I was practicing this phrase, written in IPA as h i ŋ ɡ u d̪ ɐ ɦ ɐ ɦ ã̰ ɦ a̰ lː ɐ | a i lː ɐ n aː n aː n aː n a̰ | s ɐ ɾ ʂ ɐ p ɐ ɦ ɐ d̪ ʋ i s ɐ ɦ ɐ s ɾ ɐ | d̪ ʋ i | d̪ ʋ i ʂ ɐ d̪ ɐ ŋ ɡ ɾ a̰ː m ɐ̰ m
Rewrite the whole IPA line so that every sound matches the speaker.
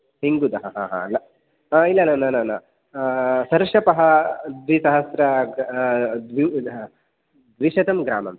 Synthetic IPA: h i ŋ ɡ u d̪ ɐ ɦ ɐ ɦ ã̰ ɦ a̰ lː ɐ | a i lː ɐ n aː n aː n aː n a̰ | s ɐ ɾ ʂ ɐ p ɐ ɦ ɐ d̪ ʋ i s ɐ ɦ ɐ s ɾ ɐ | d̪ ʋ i | d̪ ʋ i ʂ ɐ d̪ ɐ m ɡ ɾ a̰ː m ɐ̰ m